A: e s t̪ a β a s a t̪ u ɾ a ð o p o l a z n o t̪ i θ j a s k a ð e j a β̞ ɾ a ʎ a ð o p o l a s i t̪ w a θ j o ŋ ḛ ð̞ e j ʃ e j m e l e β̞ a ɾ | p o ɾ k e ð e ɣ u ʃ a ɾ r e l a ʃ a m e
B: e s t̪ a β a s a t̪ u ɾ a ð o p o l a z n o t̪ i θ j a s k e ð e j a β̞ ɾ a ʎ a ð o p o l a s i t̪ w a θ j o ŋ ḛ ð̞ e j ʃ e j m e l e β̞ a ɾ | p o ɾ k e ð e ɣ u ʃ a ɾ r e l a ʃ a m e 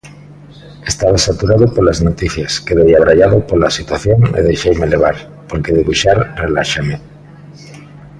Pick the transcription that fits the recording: B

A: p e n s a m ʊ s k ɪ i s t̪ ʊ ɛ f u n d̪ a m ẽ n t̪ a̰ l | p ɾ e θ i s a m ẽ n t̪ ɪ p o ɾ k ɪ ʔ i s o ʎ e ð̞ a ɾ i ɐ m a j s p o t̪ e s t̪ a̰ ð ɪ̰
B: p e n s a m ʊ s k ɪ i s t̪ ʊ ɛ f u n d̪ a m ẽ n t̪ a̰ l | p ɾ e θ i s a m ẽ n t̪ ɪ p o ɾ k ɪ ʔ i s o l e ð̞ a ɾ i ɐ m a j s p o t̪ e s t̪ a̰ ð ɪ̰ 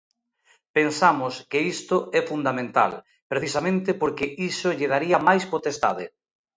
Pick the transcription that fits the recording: A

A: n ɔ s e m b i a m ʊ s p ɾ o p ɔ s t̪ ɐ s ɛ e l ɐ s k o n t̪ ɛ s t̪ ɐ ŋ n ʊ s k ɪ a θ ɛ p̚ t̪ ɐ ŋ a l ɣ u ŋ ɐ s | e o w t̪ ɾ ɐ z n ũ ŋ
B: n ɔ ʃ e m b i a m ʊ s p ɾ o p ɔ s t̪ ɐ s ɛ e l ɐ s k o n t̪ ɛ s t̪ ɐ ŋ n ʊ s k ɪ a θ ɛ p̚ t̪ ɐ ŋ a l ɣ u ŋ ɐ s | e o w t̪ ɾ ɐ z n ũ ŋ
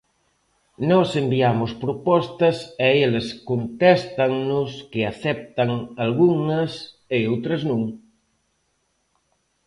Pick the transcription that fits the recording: A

